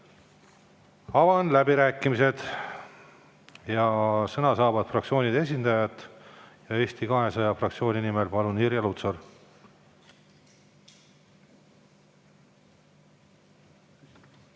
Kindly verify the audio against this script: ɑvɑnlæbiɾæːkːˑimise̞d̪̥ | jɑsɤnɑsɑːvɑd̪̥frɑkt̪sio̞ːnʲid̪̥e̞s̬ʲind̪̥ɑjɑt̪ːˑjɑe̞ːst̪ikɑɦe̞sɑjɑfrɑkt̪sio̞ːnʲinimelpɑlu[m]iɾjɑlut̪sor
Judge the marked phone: incorrect: n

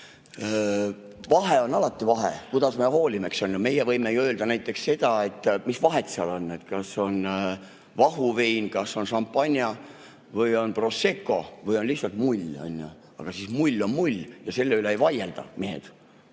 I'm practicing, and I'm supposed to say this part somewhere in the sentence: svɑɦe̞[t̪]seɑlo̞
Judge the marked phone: correct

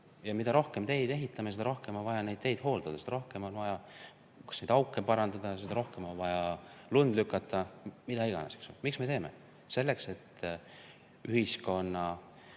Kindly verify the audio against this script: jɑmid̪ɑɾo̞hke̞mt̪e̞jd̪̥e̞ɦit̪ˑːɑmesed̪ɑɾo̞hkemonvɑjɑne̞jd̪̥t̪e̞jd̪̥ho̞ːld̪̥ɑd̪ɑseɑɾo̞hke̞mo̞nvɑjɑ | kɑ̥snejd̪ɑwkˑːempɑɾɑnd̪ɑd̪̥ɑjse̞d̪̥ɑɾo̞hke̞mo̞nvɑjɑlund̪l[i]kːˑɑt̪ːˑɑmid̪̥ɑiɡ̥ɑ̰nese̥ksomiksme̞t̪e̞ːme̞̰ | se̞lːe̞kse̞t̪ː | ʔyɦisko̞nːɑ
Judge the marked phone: incorrect: y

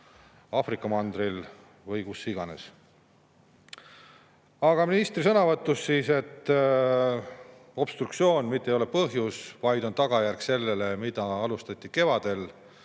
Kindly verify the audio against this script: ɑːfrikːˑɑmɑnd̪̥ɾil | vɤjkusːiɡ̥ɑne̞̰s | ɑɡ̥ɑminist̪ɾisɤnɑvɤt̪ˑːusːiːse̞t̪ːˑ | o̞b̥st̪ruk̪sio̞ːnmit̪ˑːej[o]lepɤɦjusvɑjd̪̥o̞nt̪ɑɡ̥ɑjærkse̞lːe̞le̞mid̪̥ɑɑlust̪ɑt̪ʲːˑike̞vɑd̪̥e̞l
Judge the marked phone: correct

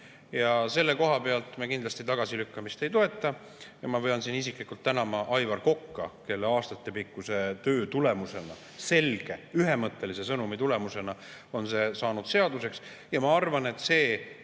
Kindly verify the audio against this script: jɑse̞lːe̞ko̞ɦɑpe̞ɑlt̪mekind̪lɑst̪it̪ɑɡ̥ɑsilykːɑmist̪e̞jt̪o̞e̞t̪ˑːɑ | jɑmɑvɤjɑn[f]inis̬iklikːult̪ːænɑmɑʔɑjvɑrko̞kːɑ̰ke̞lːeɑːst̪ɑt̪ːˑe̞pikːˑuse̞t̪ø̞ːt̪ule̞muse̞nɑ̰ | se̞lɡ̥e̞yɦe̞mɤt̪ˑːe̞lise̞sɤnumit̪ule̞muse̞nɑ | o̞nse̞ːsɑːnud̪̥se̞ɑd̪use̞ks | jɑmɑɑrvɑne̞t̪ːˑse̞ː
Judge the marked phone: incorrect: s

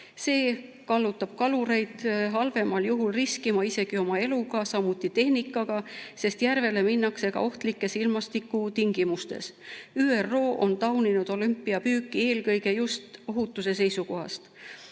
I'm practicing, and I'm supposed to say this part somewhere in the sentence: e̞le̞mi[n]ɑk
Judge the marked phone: incorrect: nː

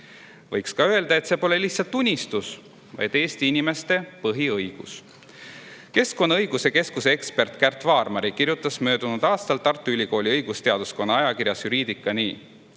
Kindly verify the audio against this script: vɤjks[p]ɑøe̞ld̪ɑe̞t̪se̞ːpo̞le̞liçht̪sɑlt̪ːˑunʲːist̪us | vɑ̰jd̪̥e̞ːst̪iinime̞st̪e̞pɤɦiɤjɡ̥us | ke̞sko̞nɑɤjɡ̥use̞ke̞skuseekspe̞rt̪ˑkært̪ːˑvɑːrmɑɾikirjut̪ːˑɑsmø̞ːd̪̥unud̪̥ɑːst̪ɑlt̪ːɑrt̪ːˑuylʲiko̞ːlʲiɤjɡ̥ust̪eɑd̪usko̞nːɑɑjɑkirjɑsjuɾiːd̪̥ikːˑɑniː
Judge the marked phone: incorrect: k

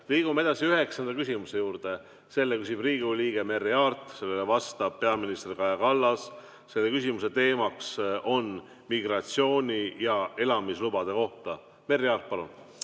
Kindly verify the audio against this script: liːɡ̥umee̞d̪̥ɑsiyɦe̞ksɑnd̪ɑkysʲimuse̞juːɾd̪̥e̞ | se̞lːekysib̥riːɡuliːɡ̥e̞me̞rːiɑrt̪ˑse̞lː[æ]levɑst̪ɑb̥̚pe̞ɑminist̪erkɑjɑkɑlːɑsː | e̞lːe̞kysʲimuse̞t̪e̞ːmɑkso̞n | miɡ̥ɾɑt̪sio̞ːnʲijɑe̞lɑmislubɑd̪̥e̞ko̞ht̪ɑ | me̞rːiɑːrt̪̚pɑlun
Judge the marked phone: incorrect: e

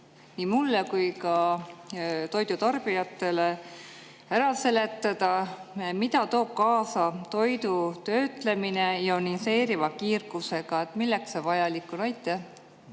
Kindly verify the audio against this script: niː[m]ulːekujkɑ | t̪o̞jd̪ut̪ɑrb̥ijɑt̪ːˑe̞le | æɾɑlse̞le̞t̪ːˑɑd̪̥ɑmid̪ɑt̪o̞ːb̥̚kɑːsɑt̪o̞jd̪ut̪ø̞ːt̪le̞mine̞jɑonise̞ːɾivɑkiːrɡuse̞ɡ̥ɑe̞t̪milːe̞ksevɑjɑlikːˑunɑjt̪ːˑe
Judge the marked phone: correct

